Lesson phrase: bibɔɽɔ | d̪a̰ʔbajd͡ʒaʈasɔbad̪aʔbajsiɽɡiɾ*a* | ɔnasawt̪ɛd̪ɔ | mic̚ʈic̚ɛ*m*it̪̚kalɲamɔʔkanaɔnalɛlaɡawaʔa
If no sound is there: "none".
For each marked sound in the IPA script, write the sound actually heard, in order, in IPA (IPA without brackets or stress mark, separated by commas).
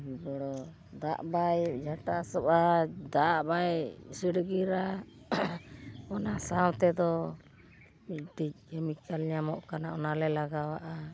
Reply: a, m